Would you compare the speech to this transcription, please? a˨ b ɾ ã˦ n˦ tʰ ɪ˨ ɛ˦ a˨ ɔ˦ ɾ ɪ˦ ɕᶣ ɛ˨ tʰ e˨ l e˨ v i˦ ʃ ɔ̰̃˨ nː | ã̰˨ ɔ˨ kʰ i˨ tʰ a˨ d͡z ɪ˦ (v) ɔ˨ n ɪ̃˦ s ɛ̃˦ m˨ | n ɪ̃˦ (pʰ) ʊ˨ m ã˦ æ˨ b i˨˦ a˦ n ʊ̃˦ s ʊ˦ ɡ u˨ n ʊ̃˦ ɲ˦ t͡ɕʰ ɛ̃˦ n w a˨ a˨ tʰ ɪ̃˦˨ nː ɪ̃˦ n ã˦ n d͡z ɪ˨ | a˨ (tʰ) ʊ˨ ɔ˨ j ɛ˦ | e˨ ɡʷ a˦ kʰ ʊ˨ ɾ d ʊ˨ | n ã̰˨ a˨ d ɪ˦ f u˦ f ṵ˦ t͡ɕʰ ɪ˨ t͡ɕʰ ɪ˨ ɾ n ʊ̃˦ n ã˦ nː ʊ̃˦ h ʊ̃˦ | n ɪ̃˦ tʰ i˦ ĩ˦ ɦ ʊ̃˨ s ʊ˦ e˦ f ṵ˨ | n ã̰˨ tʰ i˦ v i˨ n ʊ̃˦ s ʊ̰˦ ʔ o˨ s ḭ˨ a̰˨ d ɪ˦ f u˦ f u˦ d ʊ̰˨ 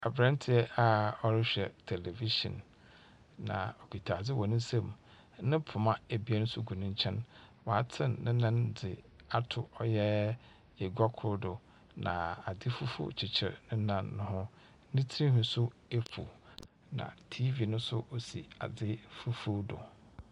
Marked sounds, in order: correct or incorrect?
incorrect, correct, correct

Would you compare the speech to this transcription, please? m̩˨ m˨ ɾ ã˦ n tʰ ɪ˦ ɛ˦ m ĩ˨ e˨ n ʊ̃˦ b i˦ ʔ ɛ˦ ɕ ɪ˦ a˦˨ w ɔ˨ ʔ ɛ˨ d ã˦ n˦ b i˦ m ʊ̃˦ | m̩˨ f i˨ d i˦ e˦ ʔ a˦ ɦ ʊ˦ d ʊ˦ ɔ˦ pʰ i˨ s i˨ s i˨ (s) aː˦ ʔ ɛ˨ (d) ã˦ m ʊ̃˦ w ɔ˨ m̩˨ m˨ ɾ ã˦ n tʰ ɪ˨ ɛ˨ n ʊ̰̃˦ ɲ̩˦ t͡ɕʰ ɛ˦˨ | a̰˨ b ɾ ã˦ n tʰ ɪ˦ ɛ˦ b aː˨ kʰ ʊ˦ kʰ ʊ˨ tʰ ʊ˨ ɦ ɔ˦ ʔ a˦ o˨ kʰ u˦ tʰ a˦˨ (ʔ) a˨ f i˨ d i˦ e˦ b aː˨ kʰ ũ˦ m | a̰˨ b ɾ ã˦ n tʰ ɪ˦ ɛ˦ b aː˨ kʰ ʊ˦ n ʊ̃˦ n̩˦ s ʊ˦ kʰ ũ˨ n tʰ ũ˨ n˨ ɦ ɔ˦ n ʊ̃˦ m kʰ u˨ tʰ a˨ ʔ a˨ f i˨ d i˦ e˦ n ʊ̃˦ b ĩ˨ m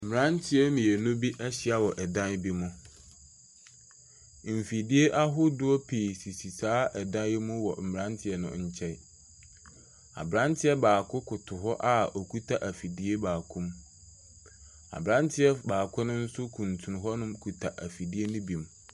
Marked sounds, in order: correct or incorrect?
correct, correct, correct

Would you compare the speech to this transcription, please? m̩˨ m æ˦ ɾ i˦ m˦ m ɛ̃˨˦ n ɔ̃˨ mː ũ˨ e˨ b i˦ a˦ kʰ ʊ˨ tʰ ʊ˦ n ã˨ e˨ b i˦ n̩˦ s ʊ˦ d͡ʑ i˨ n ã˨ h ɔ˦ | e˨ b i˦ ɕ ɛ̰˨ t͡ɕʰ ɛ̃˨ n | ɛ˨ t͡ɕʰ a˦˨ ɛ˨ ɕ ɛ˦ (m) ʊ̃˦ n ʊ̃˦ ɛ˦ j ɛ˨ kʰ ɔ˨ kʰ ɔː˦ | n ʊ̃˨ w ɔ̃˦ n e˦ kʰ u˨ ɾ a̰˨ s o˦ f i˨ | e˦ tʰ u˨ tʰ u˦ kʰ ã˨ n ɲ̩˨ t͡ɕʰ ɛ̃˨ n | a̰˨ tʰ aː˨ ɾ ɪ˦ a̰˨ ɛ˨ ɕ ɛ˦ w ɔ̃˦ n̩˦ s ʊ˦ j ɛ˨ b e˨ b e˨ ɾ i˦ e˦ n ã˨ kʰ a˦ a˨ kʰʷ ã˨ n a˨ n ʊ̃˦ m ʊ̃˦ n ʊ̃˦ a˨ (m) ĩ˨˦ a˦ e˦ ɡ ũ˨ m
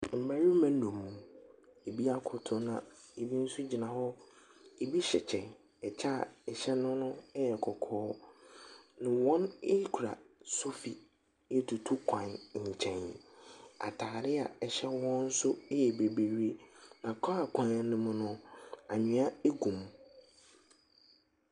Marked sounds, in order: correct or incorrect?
incorrect, incorrect

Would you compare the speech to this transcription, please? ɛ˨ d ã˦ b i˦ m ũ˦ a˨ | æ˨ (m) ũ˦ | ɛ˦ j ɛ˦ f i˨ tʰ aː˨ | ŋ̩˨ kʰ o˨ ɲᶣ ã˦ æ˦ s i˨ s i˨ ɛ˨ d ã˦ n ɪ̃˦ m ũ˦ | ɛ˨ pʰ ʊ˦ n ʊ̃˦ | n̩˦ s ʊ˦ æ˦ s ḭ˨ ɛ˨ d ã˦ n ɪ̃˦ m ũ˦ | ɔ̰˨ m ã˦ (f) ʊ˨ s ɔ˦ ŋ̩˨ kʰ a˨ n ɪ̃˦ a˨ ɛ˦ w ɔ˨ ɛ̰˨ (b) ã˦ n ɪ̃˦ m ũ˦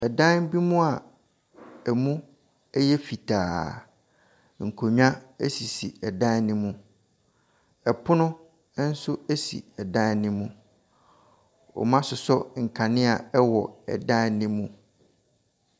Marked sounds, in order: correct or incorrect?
correct, incorrect, incorrect

